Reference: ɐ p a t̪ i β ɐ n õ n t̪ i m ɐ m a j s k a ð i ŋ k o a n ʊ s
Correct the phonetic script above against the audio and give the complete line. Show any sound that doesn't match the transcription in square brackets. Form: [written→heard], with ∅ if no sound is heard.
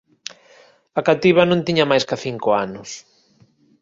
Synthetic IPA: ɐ [p→k] a t̪ i β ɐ n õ n t̪ i [m→ɲ] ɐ m a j s k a [ð→θ] i ŋ k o a n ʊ s